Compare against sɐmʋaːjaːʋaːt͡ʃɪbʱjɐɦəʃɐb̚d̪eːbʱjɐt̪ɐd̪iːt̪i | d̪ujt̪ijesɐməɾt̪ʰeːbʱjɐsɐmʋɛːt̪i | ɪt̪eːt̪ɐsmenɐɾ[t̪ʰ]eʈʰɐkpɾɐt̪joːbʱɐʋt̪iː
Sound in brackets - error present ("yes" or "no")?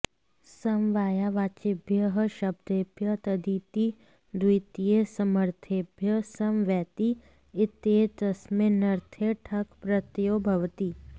no